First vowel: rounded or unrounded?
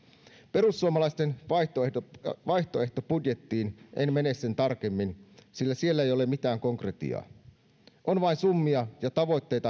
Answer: unrounded